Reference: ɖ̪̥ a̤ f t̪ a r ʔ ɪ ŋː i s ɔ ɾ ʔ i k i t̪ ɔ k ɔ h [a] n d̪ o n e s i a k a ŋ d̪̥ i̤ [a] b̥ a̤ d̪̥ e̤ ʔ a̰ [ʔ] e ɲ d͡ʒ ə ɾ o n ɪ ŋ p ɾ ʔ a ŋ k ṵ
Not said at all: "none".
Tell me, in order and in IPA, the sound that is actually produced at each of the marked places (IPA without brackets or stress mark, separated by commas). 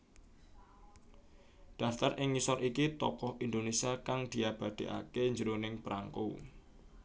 i, a, k